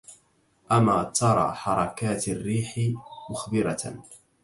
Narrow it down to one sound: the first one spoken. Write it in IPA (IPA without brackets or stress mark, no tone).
ʔ